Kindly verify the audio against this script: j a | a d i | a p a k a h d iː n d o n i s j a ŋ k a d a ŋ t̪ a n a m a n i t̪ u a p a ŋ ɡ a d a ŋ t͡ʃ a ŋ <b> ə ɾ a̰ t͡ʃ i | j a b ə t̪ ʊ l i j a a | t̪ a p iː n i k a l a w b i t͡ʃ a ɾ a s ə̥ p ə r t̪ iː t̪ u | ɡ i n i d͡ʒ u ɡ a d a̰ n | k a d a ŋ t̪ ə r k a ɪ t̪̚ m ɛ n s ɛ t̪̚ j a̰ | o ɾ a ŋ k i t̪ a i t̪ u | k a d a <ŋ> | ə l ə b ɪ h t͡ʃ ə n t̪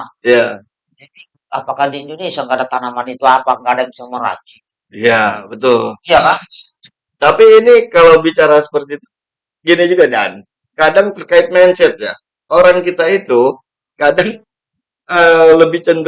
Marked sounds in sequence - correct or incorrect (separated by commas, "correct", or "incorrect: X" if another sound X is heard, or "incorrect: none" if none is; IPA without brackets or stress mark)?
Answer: incorrect: m, correct